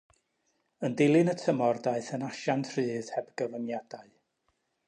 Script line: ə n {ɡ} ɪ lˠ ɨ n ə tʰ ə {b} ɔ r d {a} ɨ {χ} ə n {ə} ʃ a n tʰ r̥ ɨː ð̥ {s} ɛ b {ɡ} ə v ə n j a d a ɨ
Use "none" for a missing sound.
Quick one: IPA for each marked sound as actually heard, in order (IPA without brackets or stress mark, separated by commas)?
d, m, a, θ, a, h, ɡ